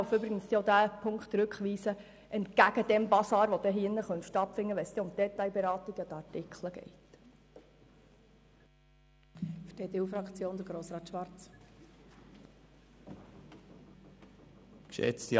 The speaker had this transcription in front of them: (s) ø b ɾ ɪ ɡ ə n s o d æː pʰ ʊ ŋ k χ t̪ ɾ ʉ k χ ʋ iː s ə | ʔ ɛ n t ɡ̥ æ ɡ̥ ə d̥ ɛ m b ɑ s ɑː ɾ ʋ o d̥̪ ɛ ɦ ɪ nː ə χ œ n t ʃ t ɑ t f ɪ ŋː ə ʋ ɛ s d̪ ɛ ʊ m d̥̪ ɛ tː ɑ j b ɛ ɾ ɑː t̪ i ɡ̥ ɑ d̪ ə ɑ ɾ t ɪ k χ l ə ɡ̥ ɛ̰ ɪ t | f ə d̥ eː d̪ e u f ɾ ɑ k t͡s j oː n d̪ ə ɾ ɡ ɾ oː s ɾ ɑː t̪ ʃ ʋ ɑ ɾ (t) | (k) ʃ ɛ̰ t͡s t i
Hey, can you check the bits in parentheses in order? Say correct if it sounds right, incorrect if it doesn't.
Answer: incorrect: f, incorrect: t͡s, correct

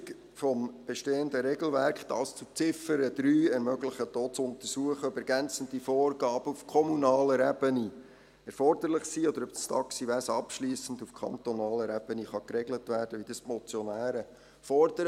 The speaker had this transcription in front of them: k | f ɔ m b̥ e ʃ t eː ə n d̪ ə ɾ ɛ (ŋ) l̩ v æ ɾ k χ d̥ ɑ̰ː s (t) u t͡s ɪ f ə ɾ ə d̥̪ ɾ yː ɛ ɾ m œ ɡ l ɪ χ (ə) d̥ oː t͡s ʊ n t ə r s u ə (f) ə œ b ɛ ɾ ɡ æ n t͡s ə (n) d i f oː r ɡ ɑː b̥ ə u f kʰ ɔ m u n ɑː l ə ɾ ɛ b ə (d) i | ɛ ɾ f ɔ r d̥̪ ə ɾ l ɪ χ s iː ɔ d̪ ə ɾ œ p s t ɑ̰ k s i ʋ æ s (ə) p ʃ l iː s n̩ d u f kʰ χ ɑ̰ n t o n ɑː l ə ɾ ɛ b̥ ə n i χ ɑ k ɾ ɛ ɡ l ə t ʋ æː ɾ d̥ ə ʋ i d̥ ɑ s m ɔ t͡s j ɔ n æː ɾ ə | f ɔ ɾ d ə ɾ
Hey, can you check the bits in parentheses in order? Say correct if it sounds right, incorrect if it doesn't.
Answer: incorrect: ɡ, incorrect: t͡s, correct, incorrect: χ, correct, incorrect: n, incorrect: ɑ

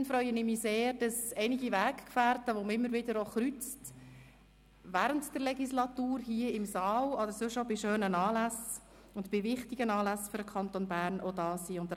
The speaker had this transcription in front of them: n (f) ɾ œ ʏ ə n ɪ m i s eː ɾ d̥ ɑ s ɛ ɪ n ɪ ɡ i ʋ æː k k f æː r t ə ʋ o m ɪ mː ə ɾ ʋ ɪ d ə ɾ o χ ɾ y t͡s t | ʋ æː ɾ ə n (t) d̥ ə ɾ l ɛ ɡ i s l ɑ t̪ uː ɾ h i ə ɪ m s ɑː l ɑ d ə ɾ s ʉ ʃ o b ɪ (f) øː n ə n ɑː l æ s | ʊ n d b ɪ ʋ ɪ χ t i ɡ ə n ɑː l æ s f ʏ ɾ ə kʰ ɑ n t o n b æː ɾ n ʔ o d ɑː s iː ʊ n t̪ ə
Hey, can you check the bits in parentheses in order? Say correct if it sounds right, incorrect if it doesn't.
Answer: correct, correct, incorrect: ʃ

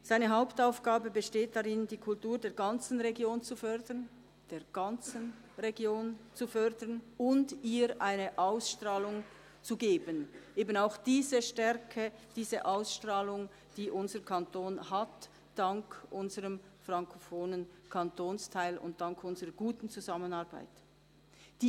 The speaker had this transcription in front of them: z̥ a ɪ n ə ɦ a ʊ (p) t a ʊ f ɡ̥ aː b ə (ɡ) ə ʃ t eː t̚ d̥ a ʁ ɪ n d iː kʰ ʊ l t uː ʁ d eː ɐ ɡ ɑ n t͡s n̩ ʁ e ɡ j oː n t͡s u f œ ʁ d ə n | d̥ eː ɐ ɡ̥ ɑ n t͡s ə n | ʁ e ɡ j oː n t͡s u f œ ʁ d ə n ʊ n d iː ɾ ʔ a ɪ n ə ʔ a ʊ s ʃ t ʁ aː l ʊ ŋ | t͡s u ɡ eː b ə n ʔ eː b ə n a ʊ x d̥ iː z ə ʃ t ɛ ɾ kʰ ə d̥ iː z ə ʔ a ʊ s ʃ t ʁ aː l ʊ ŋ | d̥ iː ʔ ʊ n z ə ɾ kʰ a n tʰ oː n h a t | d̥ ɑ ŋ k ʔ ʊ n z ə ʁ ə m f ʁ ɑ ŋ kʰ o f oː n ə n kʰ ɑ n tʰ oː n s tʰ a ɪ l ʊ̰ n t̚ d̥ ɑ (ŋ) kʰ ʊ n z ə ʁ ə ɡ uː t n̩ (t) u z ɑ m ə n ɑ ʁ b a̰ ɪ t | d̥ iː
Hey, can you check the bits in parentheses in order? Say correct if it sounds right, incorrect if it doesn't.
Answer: correct, incorrect: b, correct, incorrect: t͡s

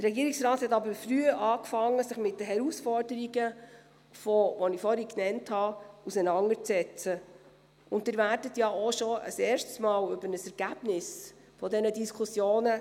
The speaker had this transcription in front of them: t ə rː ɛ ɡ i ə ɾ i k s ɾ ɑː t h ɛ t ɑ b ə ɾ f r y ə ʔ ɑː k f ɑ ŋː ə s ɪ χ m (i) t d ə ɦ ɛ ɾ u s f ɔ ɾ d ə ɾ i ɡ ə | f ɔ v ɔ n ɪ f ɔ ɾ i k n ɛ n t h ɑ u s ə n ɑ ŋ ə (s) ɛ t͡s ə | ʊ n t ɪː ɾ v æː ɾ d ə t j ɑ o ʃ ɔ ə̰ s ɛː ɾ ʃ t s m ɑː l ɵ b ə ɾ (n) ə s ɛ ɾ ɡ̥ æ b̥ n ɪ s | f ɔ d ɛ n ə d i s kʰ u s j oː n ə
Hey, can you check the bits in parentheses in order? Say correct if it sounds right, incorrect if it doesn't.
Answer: incorrect: ɪ, incorrect: t͡s, correct

